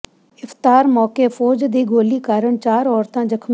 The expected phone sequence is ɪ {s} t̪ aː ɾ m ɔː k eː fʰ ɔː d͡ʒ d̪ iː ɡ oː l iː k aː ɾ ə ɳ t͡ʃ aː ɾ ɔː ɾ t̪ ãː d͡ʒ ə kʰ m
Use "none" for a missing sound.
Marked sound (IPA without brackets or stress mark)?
f